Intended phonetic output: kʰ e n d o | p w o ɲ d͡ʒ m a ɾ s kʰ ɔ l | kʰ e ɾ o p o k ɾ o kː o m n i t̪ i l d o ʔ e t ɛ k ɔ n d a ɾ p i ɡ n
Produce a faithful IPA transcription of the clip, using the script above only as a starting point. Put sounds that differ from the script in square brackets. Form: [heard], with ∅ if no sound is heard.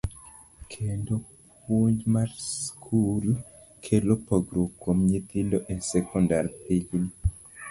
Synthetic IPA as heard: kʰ e n d o | p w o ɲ d͡ʒ m a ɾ s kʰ [u] l | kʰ e [l] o p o [ɡ] ɾ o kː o m [ɲ] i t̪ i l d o ʔ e [s] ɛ k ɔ n d a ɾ p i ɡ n

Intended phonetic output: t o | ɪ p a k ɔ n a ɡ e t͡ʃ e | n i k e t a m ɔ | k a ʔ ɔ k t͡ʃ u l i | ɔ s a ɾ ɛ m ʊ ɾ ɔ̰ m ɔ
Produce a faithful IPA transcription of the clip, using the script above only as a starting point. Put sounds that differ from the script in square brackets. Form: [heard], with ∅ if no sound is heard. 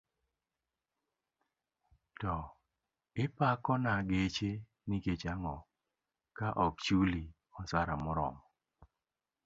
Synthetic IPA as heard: t [ɔ] | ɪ p a k ɔ n a ɡ e t͡ʃ e | n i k e [t͡ʃ] a [ŋ] ɔ | k a ʔ ɔ k t͡ʃ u l i | ɔ s a ɾ [a] m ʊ ɾ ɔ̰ m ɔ

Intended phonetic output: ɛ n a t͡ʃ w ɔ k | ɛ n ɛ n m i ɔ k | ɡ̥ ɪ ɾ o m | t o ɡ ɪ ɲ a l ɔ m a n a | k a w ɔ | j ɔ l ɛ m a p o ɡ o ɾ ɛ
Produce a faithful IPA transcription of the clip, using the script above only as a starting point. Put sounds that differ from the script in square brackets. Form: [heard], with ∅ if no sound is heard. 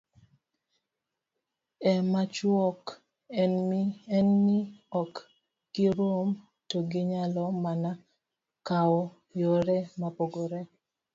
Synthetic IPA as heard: ɛ [m] a t͡ʃ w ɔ k | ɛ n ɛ n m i ɔ k | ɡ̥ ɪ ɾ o m | t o ɡ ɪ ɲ a l ɔ m a n a | k a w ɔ | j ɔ [ɾ] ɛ m a p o ɡ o ɾ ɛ

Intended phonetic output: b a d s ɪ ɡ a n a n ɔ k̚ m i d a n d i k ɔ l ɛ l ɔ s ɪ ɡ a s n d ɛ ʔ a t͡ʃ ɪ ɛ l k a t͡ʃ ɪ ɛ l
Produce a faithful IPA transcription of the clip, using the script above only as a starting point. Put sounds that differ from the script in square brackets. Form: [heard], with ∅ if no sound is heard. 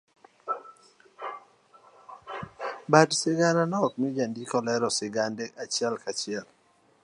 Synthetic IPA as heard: b a d s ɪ ɡ a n a n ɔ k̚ m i [d͡ʒ] a n d i k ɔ l ɛ [ɾ] ɔ s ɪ ɡ a [∅] n d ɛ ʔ a t͡ʃ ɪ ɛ l k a t͡ʃ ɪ ɛ l

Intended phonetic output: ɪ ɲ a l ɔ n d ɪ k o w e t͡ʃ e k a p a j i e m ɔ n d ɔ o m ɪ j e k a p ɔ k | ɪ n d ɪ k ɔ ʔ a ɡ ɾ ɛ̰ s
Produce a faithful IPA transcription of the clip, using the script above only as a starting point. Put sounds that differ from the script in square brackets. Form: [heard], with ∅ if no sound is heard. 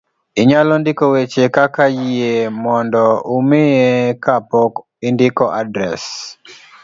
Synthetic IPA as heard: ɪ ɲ a l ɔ n d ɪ k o w e t͡ʃ e k a [k] a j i e m ɔ n d ɔ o m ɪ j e k a p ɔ k | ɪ n d ɪ k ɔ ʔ a [d] ɾ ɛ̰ s

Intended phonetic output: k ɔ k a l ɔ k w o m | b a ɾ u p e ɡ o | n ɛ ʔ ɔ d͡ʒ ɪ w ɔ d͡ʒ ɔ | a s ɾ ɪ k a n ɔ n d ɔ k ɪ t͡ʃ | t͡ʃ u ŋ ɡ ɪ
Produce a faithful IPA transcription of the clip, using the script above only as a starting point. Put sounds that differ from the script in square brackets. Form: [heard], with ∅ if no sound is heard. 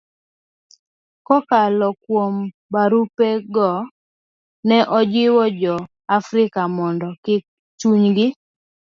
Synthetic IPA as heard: k ɔ k a l ɔ k w o m | b a ɾ u p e ɡ [ɔ] | n ɛ ʔ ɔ d͡ʒ ɪ w ɔ d͡ʒ ɔ | a [f] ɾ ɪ k a [m] ɔ n d ɔ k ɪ [∅] | t͡ʃ u [ɲ] ɡ ɪ

